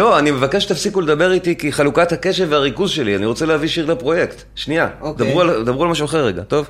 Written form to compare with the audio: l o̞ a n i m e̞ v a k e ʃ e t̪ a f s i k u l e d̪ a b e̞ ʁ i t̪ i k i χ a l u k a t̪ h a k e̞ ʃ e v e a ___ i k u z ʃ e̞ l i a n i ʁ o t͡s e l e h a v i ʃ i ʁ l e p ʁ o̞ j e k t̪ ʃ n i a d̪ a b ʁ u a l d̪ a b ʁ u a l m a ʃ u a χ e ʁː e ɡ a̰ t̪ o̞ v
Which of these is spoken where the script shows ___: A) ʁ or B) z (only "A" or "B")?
A